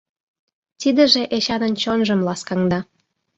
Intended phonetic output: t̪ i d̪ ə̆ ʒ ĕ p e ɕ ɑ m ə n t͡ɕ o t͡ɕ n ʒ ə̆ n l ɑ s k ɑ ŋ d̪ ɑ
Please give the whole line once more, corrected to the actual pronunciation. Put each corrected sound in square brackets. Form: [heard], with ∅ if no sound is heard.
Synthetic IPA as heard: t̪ i d̪ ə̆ ʒ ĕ [ʔ] e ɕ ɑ [n] ə n t͡ɕ o [∅] n ʒ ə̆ [m] l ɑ s k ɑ ŋ d̪ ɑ